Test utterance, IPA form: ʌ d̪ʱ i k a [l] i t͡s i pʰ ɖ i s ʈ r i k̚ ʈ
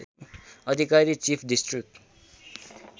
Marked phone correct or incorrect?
incorrect